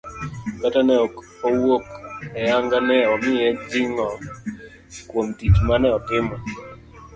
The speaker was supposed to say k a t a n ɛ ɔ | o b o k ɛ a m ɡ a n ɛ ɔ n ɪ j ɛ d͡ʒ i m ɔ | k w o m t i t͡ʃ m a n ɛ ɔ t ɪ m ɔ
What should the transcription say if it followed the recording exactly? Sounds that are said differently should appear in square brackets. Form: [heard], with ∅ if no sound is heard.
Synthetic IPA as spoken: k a t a n ɛ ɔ | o [w] o k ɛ a [ŋ] ɡ a n ɛ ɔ [m] ɪ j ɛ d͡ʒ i [ŋ] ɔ | k w o m t i t͡ʃ m a n ɛ ɔ t ɪ m ɔ